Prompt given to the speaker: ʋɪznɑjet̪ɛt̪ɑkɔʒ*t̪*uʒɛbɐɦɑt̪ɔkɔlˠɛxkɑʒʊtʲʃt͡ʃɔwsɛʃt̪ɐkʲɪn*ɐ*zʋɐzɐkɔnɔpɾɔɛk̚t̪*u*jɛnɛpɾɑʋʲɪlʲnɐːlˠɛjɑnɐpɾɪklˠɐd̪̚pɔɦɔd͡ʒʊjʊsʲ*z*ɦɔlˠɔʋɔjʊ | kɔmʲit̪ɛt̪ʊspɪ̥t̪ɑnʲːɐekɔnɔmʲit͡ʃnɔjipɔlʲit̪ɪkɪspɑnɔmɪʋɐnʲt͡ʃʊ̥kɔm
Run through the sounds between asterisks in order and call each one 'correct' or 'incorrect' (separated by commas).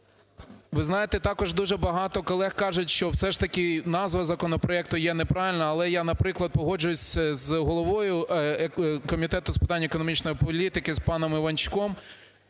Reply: incorrect, incorrect, incorrect, correct